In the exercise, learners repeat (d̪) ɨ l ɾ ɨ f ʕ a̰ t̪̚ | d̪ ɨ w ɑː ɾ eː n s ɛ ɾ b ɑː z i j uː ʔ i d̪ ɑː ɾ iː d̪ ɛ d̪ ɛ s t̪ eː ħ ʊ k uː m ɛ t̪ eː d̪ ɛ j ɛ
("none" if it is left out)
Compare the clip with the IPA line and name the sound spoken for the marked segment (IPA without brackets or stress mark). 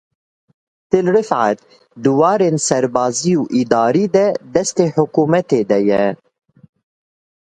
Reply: t̪